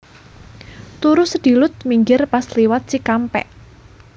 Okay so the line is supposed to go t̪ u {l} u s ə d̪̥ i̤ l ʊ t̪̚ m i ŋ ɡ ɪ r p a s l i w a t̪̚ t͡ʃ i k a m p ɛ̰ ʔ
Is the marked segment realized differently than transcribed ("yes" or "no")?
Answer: yes